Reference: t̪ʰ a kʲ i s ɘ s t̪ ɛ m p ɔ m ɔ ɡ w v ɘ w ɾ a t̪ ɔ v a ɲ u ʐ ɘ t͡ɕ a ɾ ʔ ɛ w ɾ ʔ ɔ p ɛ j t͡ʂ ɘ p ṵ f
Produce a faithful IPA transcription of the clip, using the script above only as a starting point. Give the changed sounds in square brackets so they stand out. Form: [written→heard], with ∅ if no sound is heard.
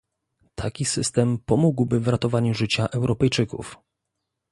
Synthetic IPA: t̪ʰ a kʲ i s ɘ s t̪ ɛ m p ɔ m [ɔ→u] ɡ w [v→b] ɘ [w→v] ɾ a t̪ ɔ v a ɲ u ʐ ɘ t͡ɕ a [ɾ→∅] ʔ ɛ w ɾ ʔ ɔ p ɛ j t͡ʂ ɘ [p→k] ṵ f